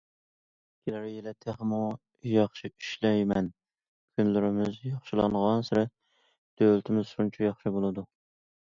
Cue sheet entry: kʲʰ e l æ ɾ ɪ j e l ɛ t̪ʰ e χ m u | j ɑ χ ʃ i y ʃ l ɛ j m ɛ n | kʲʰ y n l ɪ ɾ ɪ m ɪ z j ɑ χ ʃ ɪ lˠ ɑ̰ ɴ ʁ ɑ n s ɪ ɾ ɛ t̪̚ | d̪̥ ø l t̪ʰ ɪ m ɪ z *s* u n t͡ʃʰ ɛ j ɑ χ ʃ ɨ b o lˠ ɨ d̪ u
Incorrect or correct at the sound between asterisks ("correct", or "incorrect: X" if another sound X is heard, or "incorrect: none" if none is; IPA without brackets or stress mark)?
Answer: incorrect: ʃ